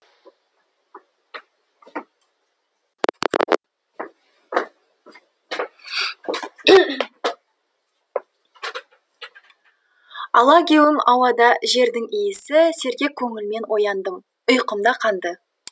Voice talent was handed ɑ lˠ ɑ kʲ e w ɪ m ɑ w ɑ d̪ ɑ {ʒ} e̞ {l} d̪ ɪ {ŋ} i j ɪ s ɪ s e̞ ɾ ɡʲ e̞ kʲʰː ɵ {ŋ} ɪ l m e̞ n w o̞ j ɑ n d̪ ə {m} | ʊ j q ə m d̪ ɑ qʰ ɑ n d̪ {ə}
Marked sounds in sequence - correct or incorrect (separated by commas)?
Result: correct, incorrect, correct, correct, correct, correct